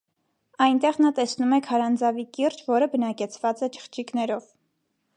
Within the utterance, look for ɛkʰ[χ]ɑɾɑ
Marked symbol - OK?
no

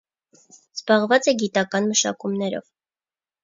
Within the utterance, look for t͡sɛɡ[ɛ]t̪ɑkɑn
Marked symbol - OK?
no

